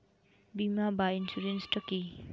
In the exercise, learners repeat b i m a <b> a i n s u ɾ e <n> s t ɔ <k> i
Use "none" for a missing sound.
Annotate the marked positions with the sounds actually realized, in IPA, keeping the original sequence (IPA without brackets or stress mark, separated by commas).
b, n, k